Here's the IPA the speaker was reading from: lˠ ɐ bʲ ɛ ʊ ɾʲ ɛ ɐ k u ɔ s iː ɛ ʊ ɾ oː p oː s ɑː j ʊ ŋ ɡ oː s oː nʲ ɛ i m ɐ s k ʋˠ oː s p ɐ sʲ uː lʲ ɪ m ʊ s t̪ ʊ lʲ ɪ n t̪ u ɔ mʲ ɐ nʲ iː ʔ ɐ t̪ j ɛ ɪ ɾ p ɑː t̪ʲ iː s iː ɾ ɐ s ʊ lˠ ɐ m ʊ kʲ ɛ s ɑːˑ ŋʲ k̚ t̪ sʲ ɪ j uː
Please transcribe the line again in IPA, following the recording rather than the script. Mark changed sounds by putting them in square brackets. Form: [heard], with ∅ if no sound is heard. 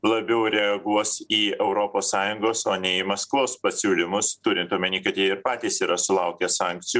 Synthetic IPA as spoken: lˠ ɐ bʲ ɛ ʊ ɾʲ ɛ ɐ [ɡ] u ɔ s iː ɛ ʊ ɾ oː p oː s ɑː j ʊ ŋ ɡ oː s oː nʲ ɛ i m ɐ s k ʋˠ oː s p ɐ sʲ uː lʲ ɪ m ʊ s t̪ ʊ [ɾʲ] ɪ n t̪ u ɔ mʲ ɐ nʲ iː [k] ɐ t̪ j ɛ ɪ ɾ p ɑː t̪ʲ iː s iː ɾ ɐ s ʊ lˠ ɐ [∅] ʊ kʲ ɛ s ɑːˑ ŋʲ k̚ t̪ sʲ ɪ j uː